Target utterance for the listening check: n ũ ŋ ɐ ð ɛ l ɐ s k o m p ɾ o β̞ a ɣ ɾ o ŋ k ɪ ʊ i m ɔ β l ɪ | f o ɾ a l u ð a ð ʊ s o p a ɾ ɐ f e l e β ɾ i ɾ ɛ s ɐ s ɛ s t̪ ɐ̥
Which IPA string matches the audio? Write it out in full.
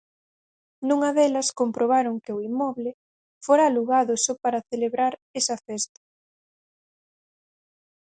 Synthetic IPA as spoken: n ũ ŋ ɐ ð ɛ l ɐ s k o m p ɾ o β̞ a ɾ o ŋ k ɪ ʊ i m ɔ β l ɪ | f o ɾ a l u ɣ a ð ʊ s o p a ɾ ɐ θ e l e β ɾ a ɾ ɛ s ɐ f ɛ s t̪ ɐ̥